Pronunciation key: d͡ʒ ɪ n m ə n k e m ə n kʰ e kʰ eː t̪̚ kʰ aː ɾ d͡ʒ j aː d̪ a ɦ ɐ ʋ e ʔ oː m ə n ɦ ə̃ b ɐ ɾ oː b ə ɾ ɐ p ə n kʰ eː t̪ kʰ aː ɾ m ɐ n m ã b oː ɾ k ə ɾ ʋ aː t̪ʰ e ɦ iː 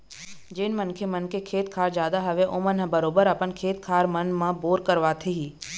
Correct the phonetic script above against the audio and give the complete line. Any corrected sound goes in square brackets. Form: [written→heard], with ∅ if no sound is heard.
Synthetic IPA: d͡ʒ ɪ n m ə n [k→kʰ] e m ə n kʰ e kʰ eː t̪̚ kʰ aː ɾ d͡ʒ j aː d̪ a ɦ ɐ ʋ e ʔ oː m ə n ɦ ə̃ b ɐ ɾ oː b ə ɾ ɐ p ə n kʰ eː t̪ kʰ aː ɾ m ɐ n m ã b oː ɾ k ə ɾ ʋ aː t̪ʰ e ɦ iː